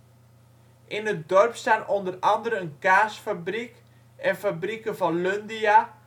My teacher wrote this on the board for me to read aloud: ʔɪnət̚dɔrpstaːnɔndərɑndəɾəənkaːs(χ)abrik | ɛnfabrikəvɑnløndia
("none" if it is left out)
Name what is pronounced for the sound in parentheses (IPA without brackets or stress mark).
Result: f